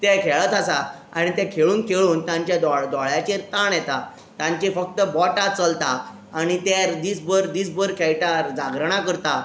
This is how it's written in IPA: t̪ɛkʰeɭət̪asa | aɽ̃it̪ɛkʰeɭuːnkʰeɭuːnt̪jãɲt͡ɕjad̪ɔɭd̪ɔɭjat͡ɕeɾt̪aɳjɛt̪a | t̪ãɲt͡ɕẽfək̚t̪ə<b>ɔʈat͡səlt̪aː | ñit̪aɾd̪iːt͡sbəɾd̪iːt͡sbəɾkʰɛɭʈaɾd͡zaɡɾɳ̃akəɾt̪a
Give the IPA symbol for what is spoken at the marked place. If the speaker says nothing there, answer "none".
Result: b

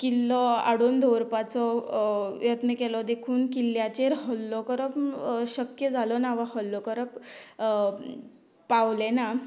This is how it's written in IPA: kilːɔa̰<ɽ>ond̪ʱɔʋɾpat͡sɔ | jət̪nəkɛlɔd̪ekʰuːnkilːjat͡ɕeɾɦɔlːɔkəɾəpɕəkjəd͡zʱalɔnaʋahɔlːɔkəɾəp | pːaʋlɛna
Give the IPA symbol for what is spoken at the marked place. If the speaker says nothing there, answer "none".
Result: ɽ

